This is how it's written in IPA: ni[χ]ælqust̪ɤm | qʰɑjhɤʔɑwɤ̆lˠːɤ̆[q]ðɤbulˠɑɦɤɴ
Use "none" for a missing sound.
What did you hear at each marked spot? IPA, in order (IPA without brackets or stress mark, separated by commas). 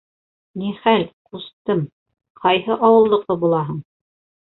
χ, q